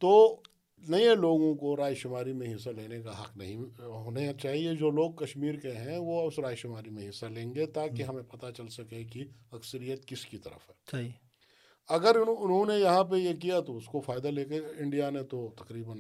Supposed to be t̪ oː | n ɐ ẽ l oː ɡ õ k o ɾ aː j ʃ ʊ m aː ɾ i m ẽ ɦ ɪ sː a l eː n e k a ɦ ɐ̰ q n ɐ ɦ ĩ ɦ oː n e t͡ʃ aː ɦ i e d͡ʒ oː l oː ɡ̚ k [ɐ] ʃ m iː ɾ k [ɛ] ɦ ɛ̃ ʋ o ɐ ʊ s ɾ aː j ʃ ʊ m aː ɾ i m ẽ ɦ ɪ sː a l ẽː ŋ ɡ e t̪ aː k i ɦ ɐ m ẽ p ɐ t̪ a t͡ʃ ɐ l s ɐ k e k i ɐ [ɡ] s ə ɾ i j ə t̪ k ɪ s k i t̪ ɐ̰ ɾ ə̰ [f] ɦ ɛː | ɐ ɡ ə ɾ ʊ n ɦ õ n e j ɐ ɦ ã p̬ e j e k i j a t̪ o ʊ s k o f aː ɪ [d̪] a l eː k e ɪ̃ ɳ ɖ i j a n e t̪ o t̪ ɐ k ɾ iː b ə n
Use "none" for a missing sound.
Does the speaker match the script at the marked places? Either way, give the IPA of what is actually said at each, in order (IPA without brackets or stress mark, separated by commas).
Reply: ɐ, e, k, f, d̪